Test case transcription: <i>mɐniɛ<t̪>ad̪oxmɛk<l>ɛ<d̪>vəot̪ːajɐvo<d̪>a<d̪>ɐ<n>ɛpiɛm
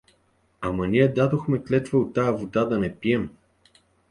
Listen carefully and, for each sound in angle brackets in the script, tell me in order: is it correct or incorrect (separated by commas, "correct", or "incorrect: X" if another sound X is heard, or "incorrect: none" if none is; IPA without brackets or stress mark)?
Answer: incorrect: a, incorrect: d̪, correct, incorrect: t̪, correct, correct, correct